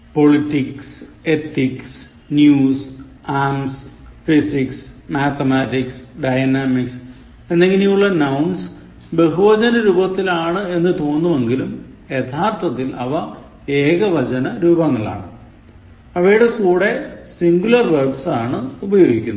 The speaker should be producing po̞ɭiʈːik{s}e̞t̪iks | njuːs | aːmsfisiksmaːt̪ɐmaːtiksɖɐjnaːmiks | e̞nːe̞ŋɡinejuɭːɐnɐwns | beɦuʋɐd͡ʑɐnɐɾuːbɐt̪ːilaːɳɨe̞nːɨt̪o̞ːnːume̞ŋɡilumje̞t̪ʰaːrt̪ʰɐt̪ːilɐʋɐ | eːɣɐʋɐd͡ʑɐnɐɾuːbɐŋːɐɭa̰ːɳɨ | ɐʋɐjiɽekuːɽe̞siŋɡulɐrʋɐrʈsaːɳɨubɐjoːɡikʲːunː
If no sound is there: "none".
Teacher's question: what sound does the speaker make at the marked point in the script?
s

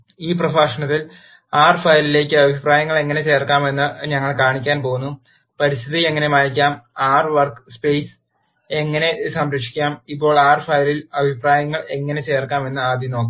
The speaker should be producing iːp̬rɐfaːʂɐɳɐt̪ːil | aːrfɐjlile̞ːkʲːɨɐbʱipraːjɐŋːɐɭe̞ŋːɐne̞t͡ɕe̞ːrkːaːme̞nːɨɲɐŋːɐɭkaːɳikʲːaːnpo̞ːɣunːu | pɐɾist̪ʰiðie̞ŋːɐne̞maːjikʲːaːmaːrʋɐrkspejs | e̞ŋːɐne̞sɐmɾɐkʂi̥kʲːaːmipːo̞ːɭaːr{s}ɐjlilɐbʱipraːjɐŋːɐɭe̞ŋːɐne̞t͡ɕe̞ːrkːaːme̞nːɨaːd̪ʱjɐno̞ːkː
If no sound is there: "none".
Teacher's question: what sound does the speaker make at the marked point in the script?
f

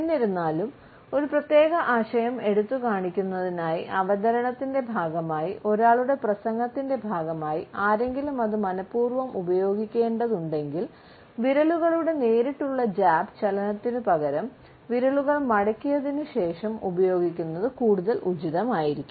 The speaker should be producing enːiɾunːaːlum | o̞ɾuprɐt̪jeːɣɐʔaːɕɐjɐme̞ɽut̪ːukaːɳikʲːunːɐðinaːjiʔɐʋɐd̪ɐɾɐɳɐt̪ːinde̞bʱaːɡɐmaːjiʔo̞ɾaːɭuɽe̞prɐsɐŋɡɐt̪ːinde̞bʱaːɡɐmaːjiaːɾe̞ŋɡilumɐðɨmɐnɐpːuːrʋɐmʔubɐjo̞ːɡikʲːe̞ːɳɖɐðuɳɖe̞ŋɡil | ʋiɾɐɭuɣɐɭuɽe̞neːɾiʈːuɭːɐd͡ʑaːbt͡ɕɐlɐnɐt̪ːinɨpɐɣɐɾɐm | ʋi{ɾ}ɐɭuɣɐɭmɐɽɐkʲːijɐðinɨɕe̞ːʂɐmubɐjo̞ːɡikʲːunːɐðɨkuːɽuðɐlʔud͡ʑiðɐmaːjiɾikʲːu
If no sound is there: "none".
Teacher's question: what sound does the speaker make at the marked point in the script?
ɾ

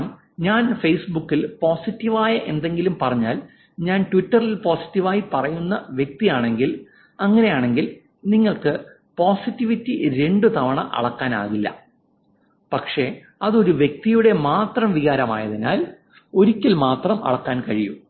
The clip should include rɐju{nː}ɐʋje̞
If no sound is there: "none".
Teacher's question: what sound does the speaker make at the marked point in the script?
nː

